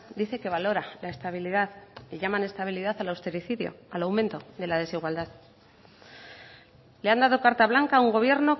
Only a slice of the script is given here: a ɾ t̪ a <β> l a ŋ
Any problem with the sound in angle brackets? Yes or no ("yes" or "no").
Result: no